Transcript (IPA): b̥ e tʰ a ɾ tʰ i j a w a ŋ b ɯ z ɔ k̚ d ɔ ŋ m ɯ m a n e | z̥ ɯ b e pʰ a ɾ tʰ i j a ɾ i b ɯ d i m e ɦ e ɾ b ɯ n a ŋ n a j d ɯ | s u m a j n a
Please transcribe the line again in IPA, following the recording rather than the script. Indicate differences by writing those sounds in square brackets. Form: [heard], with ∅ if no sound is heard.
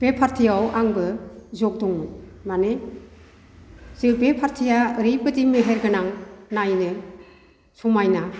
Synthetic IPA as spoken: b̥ e [pʰ] a ɾ tʰ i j a w a ŋ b ɯ z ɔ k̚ d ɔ ŋ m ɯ m a n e | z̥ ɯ b e pʰ a ɾ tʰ i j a ɾ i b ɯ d i m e ɦ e ɾ [ɡ] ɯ n a ŋ n a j [n] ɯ | s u m a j n a